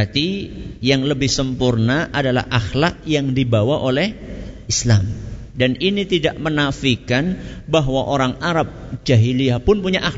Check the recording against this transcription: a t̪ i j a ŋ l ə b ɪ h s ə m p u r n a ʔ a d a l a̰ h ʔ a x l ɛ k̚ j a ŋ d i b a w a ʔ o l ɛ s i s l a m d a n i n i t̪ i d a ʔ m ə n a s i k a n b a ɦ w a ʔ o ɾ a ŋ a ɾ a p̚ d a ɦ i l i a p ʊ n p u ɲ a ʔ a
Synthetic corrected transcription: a t̪ i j a ŋ l ə b ɪ h s ə m p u r n a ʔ a d a l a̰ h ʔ a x l a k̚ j a ŋ d i b a w a ʔ o l ɛ h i s l a m d a n i n i t̪ i d a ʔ m ə n a f i k a n b a ɦ w a ʔ o ɾ a ŋ a ɾ a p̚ d͡ʒ a ɦ i l i a p ʊ n p u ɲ a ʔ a